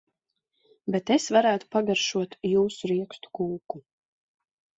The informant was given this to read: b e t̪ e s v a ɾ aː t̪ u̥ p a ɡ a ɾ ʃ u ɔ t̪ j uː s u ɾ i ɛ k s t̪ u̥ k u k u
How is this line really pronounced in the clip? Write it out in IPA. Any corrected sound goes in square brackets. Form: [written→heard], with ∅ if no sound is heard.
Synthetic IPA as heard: b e t̪ e s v a ɾ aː t̪ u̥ p a ɡ a ɾ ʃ u ɔ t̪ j uː s u ɾ i ɛ k s t̪ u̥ k [u→uː] k u